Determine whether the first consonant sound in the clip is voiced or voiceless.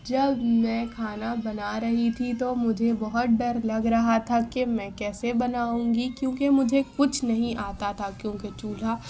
voiced